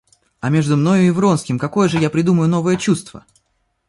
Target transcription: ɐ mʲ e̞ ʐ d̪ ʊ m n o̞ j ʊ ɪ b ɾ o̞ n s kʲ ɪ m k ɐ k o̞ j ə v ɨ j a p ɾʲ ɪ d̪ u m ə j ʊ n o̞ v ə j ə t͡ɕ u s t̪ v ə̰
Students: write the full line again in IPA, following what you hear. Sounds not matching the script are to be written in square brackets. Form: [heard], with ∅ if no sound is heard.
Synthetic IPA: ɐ mʲ e̞ ʐ d̪ ʊ m n o̞ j ʊ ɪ [v] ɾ o̞ n s kʲ ɪ m k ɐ k o̞ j ə [ʐ] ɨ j a p ɾʲ ɪ d̪ u m ə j ʊ n o̞ v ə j ə t͡ɕ u s t̪ v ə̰

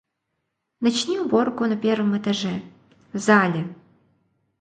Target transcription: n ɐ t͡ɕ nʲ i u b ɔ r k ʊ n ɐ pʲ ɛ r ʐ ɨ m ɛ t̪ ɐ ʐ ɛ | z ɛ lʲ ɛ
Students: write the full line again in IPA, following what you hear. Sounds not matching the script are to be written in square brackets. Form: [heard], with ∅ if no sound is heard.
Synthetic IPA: n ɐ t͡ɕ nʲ i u b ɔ r k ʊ n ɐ pʲ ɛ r [v] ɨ m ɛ t̪ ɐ ʐ ɛ | z [a] lʲ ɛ

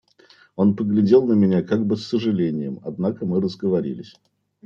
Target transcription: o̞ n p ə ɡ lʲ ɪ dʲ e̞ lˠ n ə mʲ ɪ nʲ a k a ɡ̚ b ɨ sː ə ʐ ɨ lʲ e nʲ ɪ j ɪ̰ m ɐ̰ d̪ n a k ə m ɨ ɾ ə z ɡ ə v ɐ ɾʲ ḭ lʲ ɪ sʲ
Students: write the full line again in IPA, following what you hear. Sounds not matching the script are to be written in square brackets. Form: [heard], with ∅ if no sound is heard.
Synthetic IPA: o̞ n p ə ɡ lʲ ɪ dʲ e̞ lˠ n ə mʲ ɪ nʲ a k a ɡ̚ b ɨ sː ə ʐ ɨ lʲ e nʲ ɪ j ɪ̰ m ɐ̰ d̪ n a k ə m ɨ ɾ ə z ɡ ə v ɐ ɾʲ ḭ lʲ ɪ sʲ

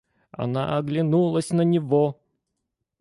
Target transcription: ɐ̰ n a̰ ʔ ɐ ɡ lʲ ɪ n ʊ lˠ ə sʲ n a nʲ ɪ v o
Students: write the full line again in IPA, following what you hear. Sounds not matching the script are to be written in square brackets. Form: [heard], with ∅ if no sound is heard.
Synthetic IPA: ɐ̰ n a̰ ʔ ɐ ɡ lʲ ɪ n [u] lˠ ə sʲ n [ə] nʲ ɪ v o

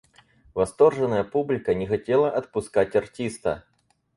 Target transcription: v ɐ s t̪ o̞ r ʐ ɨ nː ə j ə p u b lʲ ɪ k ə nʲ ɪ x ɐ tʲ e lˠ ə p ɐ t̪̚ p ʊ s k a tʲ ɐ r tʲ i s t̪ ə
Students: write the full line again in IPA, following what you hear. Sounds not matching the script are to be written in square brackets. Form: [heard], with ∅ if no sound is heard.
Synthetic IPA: v ɐ s t̪ o̞ r ʐ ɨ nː ə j ə p u b lʲ ɪ k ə nʲ ɪ x ɐ tʲ e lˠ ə [ʔ] ɐ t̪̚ p ʊ s k a tʲ ɐ r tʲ i s t̪ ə

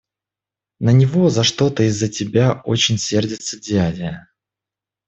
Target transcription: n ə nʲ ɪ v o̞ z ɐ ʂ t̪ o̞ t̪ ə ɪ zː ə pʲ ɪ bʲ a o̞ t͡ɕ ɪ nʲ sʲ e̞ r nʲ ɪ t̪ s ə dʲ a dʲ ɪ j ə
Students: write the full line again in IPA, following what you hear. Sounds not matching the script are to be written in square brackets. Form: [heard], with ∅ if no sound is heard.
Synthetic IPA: n ə nʲ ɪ v o̞ z ɐ ʂ t̪ o̞ t̪ ə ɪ zː ə [tʲ] ɪ bʲ a o̞ t͡ɕ ɪ nʲ sʲ e̞ r [dʲ] ɪ t̪ s ə dʲ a dʲ ɪ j ə

